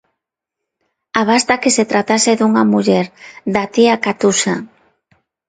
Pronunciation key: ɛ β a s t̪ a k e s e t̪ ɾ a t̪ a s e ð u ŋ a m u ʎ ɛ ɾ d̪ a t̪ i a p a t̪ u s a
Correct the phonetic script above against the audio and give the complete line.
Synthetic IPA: a β a s t̪ a k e s e t̪ ɾ a t̪ a s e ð u ŋ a m u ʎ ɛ ɾ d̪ a t̪ i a k a t̪ u s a